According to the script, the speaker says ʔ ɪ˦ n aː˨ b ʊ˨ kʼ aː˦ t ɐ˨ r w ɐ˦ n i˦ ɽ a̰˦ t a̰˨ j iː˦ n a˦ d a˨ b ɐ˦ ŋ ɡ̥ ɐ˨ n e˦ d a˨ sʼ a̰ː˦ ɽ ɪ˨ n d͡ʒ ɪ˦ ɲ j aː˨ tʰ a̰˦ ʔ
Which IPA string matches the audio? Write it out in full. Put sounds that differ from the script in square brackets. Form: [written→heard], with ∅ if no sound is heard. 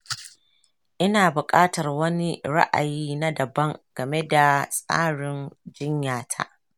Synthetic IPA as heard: ʔ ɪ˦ n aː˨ b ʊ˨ kʼ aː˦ t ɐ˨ r w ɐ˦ n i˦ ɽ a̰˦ [t→ʔ] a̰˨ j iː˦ n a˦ d [a˨→ɐ˨] b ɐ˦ ŋ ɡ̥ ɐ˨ [n→m] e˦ d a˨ sʼ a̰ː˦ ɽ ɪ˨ n d͡ʒ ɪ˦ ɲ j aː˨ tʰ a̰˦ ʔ